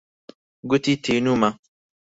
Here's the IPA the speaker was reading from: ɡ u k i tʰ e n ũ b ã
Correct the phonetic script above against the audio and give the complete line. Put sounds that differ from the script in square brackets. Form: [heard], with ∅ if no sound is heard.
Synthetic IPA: ɡ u [t] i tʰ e n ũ [m] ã